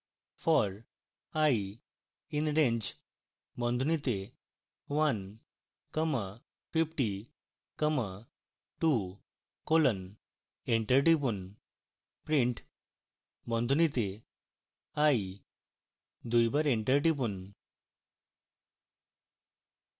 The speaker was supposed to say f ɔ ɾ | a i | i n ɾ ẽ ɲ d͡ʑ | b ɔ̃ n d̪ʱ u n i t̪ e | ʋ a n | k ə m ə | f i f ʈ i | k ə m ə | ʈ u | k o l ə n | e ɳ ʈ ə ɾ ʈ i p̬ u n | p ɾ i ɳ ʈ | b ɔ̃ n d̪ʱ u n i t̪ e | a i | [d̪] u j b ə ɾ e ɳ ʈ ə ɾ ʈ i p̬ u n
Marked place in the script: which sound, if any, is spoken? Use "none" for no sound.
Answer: d̪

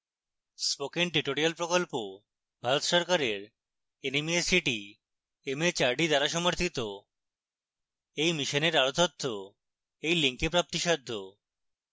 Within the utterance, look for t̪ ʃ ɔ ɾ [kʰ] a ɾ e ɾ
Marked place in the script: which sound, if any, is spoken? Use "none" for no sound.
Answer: k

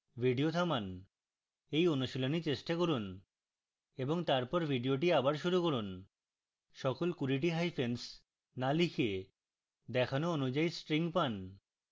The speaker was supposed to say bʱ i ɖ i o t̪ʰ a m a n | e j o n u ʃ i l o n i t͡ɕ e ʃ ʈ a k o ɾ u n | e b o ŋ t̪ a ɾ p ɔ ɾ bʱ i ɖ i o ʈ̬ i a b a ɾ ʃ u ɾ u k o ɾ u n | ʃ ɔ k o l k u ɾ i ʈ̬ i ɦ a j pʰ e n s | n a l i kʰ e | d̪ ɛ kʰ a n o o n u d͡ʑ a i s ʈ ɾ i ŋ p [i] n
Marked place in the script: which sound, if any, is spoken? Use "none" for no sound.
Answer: a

